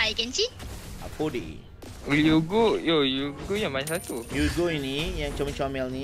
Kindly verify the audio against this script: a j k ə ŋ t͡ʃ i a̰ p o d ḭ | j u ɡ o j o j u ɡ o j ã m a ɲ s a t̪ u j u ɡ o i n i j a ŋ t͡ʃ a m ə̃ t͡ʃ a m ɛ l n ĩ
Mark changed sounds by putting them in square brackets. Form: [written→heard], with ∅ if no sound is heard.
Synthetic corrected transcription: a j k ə [ŋ→n] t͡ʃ i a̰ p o d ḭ | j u ɡ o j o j u ɡ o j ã m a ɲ s a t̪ u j u ɡ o i n i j a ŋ t͡ʃ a m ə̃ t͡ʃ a m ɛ l n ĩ